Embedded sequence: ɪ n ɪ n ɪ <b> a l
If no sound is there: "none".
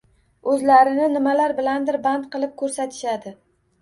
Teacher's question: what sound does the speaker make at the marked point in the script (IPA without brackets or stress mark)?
m